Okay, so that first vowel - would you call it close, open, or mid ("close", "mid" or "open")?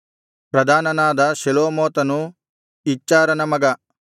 open